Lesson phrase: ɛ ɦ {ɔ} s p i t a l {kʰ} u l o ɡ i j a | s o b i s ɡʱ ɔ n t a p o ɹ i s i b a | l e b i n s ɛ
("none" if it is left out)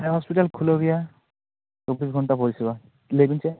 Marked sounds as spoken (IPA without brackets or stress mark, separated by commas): ɔ, kʰ